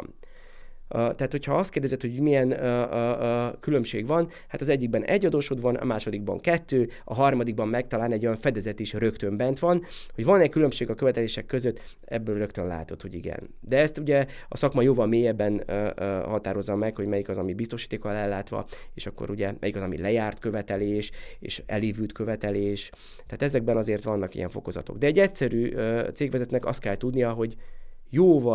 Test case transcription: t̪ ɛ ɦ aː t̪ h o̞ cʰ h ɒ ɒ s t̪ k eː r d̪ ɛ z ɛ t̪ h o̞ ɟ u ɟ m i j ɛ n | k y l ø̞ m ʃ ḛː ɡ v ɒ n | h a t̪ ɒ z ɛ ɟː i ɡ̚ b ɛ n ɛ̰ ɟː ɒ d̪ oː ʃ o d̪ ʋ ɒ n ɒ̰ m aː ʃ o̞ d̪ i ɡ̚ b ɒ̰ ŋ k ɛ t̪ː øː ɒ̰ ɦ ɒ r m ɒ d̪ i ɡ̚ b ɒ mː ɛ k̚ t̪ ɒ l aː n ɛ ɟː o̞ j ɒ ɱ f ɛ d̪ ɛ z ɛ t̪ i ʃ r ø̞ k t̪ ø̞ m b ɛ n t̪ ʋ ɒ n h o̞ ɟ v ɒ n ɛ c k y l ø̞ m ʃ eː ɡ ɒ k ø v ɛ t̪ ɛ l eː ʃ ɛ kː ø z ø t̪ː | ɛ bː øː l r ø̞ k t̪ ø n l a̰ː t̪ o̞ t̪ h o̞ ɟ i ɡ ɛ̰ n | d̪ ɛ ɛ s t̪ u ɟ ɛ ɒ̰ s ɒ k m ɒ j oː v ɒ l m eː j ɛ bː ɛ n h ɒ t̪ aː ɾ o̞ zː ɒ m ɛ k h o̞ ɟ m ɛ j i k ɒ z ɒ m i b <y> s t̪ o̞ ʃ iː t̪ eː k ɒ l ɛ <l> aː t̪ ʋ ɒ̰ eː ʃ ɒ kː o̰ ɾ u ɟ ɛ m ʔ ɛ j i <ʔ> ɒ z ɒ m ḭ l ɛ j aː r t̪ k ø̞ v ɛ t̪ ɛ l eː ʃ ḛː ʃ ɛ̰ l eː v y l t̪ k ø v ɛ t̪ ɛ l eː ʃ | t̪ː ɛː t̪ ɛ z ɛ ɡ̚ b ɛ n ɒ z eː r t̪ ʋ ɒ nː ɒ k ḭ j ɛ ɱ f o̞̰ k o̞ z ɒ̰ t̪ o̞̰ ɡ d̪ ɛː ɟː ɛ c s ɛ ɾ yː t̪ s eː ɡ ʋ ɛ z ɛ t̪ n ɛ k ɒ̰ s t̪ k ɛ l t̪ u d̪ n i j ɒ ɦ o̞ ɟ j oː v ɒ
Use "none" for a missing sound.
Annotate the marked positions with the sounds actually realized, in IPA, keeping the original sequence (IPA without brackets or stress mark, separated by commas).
i, lː, k